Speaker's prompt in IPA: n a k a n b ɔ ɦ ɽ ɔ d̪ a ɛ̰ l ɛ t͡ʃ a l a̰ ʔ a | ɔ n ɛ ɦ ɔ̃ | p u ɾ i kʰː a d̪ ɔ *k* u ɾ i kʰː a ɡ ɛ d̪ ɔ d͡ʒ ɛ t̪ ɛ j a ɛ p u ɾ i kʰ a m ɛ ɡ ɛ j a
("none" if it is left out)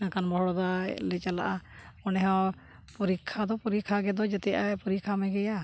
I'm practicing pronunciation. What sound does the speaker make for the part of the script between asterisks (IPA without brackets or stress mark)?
p